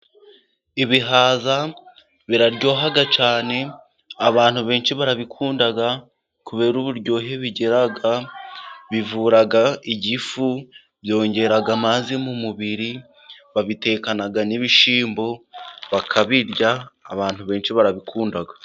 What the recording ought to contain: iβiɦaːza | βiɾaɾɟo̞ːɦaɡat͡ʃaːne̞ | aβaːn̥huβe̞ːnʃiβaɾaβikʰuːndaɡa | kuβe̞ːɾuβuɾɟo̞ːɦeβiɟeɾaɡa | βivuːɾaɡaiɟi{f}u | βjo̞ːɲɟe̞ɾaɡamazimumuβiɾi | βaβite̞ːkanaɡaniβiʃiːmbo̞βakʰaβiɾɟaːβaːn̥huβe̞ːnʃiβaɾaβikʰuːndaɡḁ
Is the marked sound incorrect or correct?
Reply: correct